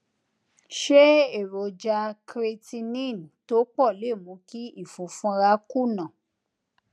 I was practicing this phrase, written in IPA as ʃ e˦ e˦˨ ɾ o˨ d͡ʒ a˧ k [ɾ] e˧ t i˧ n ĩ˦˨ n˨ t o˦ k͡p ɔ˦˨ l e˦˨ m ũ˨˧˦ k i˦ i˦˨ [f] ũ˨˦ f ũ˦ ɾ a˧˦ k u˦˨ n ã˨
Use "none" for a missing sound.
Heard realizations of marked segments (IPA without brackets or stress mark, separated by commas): ɾ, f